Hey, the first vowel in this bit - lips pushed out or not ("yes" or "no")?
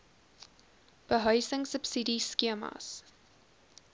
no